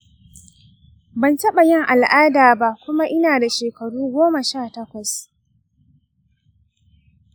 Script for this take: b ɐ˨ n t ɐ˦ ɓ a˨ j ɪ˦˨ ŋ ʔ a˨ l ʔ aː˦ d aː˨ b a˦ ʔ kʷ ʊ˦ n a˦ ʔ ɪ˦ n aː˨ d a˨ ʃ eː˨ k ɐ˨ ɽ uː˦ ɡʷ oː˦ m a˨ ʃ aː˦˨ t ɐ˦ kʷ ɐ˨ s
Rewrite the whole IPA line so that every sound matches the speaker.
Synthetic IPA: b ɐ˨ n t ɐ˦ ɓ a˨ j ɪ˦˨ ŋ ʔ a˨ l ʔ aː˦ d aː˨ b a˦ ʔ kʷ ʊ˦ m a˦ ʔ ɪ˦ n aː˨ d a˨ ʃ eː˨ k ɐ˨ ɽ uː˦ ɡʷ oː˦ m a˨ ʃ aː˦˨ t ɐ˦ kʷ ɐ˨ s